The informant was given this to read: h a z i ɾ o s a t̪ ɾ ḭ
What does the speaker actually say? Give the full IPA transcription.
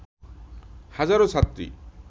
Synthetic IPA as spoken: h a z a ɾ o s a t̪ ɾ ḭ